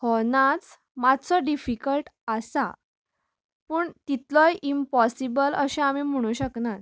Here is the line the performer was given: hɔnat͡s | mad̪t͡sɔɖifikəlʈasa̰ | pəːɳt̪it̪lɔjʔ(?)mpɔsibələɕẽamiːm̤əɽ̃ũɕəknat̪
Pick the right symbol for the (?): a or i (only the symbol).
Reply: i